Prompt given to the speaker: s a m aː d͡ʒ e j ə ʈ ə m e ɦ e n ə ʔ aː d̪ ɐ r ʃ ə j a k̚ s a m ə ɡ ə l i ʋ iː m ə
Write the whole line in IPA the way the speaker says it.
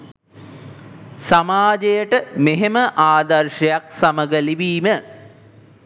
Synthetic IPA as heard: s a m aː d͡ʒ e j ə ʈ ə m e ɦ e m ə ʔ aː d̪ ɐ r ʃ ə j a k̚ s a m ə ɡ ə l i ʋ iː m ə

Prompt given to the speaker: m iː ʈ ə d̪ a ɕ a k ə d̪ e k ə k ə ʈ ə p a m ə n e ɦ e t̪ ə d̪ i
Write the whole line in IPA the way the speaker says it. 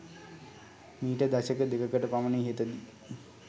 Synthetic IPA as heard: m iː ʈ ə d̪ a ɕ ə k ə d̪ e k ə k ə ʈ ə p a m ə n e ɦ e t̪ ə d̪ i

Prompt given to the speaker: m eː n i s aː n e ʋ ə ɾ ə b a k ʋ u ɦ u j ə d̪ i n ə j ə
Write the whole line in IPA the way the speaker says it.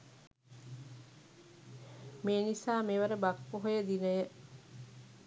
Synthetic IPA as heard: m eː n i s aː m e ʋ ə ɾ ə b a k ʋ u ɦ o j ə d̪ i n ə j ə

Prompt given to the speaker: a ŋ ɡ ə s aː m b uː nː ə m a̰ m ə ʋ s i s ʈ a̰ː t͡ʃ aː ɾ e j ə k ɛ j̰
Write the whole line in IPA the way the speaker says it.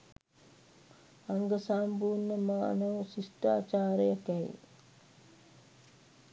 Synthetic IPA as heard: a ŋ ɡ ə s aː m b uː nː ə m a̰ n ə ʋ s i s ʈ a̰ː t͡ʃ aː ɾ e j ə k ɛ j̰

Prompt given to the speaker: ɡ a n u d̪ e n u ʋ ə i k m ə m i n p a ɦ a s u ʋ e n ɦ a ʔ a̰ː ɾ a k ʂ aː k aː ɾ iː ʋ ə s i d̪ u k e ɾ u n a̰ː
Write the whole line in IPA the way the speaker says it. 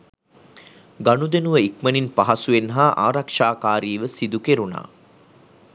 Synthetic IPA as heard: ɡ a n u d̪ e n u ʋ ə i k m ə n i n p a ɦ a s u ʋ e n ɦ a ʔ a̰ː ɾ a k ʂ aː k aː ɾ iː ʋ ə s i d̪ u k e ɾ u n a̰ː

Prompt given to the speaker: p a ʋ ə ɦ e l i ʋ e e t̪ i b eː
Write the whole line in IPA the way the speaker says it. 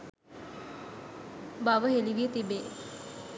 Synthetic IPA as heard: b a ʋ ə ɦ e l i ʋ i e t̪ i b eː

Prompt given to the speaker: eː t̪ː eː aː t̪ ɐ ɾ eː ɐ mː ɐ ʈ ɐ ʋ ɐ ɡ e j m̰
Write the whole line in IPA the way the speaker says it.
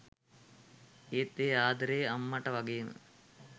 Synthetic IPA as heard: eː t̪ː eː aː d̪ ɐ ɾ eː ɐ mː ɐ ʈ ɐ ʋ ɐ ɡ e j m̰

